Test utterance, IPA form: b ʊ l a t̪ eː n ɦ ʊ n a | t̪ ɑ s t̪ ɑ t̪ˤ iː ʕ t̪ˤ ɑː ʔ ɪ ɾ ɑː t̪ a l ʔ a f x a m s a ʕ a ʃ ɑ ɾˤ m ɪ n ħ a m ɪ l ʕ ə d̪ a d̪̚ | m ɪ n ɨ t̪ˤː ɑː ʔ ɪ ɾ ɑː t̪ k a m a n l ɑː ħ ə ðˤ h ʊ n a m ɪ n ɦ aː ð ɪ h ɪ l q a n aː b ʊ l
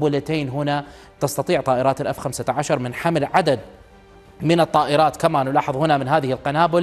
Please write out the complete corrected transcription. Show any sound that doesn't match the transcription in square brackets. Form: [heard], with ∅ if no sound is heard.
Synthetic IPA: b ʊ l a t̪ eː n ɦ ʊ n a | t̪ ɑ s t̪ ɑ t̪ˤ iː ʕ t̪ˤ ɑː ʔ ɪ ɾ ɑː t̪ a l ʔ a f x a m s a ʕ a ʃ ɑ ɾˤ m ɪ n ħ a m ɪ l ʕ [a] d̪ a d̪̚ | m ɪ n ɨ t̪ˤː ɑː ʔ ɪ ɾ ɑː t̪ k a m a n l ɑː ħ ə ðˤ h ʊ n a m ɪ n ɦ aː ð ɪ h ɪ l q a n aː b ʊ l